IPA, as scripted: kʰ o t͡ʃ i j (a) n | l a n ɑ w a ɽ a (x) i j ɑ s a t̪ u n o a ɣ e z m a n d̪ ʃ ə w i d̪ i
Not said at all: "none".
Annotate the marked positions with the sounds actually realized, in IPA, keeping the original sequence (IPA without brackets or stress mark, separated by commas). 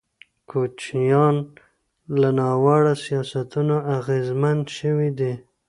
ɑ, s